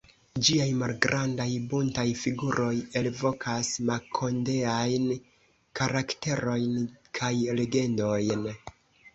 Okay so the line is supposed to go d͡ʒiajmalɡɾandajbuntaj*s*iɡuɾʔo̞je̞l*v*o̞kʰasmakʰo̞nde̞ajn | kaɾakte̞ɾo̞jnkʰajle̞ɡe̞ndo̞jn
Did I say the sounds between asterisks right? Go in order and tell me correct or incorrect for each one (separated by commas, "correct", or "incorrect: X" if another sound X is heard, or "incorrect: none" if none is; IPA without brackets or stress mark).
incorrect: f, correct